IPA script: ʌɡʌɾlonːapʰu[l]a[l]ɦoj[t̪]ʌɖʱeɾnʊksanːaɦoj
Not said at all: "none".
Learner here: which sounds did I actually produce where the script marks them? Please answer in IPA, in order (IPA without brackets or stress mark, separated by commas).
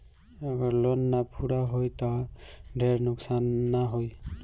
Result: ɽ, none, t̪